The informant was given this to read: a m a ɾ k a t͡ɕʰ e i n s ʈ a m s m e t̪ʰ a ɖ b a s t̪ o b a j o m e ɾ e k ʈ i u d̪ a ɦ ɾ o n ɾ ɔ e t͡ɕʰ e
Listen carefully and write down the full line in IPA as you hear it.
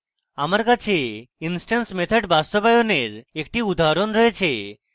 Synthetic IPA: a m a ɾ k a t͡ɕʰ e i n s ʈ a n s m e t̪ʰ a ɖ b a s t̪ o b a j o n e ɾ e k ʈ i u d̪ a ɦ ɾ o n ɾ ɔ e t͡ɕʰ e